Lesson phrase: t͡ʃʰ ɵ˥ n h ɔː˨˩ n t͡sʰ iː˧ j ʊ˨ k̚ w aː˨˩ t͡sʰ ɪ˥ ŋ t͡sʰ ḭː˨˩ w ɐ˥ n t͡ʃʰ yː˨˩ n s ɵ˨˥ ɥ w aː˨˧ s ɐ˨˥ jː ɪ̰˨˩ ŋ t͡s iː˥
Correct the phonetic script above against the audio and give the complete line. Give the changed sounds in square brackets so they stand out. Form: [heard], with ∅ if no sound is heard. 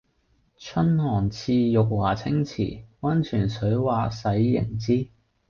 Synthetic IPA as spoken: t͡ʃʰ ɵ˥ n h ɔː˨˩ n t͡sʰ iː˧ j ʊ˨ k̚ w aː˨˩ t͡sʰ ɪ˥ ŋ t͡sʰ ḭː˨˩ w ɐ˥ n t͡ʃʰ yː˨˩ n s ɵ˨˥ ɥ w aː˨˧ s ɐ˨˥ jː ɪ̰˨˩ ŋ t͡s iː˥

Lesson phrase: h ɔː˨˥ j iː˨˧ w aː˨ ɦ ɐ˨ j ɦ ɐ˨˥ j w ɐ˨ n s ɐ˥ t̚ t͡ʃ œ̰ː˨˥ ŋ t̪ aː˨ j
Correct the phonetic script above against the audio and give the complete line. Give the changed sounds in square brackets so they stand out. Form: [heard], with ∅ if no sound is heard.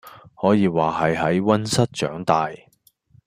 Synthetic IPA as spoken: h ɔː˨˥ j iː˨˧ w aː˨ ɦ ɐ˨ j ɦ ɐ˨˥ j w [ɐ˥] n s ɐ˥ t̚ t͡ʃ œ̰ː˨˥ ŋ t̪ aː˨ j

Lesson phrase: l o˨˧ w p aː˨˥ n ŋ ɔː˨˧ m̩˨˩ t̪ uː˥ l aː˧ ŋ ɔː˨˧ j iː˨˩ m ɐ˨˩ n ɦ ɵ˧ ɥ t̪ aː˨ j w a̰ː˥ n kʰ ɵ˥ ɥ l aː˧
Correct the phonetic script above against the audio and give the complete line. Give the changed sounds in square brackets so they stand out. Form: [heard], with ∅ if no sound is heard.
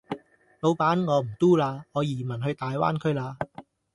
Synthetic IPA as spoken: l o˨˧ w p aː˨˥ n ŋ ɔː˨˧ m̩˨˩ t̪ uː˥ l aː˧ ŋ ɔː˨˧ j iː˨˩ m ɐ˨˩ n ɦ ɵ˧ ɥ t̪ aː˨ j w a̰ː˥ n kʰ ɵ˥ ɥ l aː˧

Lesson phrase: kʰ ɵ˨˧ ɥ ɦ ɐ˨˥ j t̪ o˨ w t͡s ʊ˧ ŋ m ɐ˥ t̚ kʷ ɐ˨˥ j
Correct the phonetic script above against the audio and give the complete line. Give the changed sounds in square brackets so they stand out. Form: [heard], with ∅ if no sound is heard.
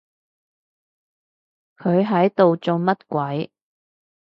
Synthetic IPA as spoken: kʰ ɵ˨˧ ɥ ɦ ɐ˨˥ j t̪ o˨ w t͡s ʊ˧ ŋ m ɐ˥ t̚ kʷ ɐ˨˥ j

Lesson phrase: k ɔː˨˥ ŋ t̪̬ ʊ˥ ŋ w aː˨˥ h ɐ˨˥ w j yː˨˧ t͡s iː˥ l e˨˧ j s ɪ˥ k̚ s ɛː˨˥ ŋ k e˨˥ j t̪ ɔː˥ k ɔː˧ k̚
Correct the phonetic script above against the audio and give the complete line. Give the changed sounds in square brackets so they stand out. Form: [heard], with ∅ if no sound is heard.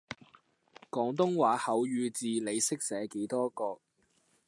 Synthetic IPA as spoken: k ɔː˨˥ ŋ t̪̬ ʊ˥ ŋ w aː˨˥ h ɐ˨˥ w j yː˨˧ t͡s [iː˨] l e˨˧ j s ɪ˥ k̚ s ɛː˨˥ [∅] k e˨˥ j t̪ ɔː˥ k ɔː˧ k̚

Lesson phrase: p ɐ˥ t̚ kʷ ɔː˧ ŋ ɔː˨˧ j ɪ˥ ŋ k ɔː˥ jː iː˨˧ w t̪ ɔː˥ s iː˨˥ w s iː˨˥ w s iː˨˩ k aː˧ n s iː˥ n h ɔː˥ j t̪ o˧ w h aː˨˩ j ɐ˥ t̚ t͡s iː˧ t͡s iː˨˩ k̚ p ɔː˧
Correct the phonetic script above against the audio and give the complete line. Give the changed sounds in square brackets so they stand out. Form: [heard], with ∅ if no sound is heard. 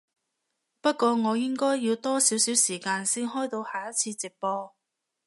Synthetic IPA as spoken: p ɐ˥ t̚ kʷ ɔː˧ ŋ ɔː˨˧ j ɪ˥ ŋ k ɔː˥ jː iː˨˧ w t̪ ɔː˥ s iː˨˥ w s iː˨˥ w s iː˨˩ k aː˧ n s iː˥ n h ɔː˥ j t̪ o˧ w h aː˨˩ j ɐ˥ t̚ [t͡sʰ] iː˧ t͡s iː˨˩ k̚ p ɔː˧

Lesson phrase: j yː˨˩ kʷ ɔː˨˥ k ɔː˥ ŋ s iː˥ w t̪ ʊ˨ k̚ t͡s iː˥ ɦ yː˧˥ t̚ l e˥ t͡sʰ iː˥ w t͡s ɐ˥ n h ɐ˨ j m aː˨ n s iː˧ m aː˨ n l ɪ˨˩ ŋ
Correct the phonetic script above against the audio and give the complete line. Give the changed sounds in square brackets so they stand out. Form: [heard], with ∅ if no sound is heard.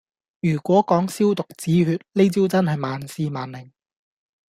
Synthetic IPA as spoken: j yː˨˩ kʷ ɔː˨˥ k [ɔː˨˥] ŋ s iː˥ w t̪ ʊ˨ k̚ t͡s [iː˨˥] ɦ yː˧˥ t̚ l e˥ [t͡s] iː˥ w t͡s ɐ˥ n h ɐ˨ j m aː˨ n s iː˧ m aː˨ n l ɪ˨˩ ŋ

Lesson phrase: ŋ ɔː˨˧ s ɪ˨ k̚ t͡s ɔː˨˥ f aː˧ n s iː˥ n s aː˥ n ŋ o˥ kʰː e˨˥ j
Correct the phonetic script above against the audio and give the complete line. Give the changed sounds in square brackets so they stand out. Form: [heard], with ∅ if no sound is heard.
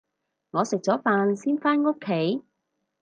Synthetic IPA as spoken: ŋ ɔː˨˧ s ɪ˨ k̚ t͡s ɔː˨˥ f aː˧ n s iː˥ n [f] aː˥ n ŋ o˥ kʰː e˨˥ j

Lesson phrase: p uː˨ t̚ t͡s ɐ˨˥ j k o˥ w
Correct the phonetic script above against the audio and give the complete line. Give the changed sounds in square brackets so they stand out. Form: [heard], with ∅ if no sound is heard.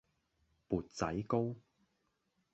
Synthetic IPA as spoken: p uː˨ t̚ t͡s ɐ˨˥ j k o˥ w

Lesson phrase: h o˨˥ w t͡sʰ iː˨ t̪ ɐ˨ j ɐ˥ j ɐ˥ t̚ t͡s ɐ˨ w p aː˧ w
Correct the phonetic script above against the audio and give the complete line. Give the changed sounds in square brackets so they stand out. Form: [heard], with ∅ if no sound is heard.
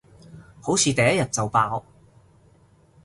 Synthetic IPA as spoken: h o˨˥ w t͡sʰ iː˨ t̪ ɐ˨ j ɐ˥ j [ɐ˨] t̚ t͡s ɐ˨ w p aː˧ w

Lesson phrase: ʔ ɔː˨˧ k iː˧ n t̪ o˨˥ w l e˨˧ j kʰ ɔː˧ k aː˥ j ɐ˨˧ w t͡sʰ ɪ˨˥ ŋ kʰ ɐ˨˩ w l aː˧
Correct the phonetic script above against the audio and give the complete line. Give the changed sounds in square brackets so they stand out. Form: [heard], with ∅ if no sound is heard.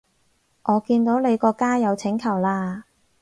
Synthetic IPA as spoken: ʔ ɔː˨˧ k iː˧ n t̪ o˨˥ w l e˨˧ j [k] ɔː˧ k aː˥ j ɐ˨˧ w t͡sʰ ɪ˨˥ ŋ kʰ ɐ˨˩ w l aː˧

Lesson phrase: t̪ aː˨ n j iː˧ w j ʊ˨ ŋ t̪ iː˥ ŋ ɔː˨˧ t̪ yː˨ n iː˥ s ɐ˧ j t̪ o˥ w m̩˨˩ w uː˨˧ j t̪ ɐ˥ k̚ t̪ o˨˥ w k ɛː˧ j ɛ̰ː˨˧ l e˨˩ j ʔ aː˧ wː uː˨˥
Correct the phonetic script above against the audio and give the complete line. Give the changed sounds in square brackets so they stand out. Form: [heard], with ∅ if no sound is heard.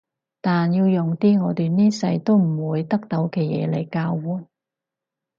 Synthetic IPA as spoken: t̪ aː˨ n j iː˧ w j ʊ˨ ŋ t̪ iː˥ ŋ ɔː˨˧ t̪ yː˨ n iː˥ s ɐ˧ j t̪ o˥ w m̩˨˩ w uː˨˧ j t̪ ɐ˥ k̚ t̪ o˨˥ w k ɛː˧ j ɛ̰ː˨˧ l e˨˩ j [k] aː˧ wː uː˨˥

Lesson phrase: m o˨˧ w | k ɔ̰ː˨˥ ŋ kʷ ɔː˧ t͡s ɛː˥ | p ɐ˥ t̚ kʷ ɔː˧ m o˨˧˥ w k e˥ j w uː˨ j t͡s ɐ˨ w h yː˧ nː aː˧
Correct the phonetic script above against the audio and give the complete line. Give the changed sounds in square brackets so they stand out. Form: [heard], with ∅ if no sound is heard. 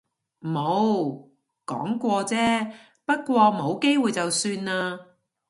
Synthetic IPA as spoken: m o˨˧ w | k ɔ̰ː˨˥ ŋ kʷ ɔː˧ t͡s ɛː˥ | p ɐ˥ t̚ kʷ ɔː˧ m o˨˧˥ w k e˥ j w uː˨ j t͡s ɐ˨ w [s] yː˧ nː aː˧

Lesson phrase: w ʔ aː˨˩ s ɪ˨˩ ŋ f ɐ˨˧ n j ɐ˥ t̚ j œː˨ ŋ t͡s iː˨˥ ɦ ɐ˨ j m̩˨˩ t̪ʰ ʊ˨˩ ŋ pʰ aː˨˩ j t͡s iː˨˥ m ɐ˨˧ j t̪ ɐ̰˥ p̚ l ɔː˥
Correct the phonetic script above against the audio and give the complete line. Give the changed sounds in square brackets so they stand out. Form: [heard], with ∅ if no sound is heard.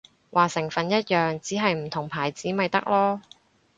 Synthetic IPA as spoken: w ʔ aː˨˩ s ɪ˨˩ ŋ f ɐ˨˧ n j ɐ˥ t̚ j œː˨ ŋ t͡s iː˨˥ ɦ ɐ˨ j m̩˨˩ t̪ʰ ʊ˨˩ ŋ pʰ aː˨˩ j t͡s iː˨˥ m ɐ˨˧ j t̪ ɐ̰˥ [k̚] l ɔː˥

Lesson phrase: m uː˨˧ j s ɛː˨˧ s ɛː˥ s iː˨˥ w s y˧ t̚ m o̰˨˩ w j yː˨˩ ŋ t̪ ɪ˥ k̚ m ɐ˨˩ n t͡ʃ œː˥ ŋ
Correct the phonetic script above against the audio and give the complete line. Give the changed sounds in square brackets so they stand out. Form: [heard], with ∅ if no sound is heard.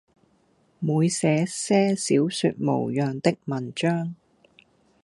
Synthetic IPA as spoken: m uː˨˧ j s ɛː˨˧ s ɛː˥ s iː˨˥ w s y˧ t̚ m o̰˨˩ w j [œː˨˩] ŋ t̪ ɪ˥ k̚ m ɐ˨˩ n t͡ʃ œː˥ ŋ

